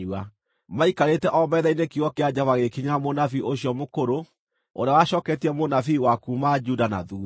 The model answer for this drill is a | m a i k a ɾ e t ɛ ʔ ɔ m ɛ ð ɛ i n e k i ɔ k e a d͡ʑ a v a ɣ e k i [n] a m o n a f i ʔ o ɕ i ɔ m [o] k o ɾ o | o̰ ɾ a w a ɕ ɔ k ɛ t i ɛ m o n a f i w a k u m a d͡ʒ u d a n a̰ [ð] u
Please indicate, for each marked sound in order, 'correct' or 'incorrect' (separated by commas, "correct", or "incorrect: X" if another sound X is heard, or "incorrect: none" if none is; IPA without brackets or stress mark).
incorrect: ɲ, correct, correct